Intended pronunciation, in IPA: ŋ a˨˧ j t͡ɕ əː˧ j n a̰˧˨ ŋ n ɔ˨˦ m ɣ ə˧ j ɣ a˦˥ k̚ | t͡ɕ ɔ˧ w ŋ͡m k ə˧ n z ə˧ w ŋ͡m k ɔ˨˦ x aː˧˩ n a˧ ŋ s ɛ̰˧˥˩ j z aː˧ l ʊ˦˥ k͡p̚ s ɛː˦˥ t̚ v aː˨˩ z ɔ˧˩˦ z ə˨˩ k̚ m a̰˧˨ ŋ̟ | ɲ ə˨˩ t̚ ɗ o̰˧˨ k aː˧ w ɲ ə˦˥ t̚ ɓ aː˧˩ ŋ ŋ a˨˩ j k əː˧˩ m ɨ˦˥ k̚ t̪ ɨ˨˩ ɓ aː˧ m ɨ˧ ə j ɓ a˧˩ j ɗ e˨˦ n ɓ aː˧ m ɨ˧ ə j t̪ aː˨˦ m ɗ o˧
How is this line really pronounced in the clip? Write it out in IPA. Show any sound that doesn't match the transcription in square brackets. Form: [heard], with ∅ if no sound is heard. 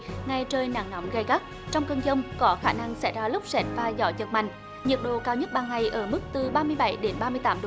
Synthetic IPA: ŋ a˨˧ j t͡ɕ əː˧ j n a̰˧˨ ŋ n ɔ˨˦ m ɣ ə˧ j ɣ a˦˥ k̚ | t͡ɕ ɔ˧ w ŋ͡m k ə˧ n z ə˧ w ŋ͡m k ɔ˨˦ x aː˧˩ n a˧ ŋ s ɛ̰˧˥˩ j z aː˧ l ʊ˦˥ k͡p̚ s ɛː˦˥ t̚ v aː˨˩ z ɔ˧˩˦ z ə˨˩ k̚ m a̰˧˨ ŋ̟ | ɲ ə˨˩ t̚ ɗ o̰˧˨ k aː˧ w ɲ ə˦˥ t̚ ɓ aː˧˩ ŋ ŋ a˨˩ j [ʔ] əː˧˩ m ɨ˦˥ k̚ t̪ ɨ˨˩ ɓ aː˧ m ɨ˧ ə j ɓ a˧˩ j ɗ e˨˦ n ɓ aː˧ m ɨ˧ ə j t̪ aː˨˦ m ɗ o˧